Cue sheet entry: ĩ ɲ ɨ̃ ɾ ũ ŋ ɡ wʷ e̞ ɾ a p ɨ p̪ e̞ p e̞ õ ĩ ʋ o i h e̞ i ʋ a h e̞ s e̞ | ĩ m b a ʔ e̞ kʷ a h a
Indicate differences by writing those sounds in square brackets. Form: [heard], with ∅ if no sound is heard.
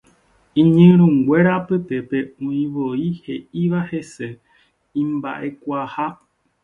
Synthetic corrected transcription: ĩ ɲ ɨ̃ ɾ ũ ŋ ɡ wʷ e̞ ɾ a p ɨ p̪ e̞ p e̞ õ ĩ ʋ o i h e̞ i ʋ a h e̞ s e̞ | ĩ m b a ʔ e̞ kʷ a h a